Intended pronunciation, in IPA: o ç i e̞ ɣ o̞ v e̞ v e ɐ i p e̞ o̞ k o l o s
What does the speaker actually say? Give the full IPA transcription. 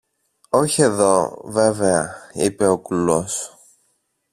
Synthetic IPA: o ç i e̞ ð o̞ v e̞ v e ɐ i p e̞ o̞ k u l o s

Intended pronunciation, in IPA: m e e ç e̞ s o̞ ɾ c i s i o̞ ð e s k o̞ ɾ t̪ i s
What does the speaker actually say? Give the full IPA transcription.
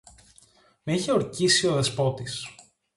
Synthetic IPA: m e i ç e̞ o̞ ɾ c i s i o̞ ð e s p o̞ t̪ i s

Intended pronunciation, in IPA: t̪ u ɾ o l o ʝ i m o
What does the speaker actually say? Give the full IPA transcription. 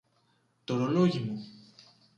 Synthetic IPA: t̪ o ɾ o l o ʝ i m u

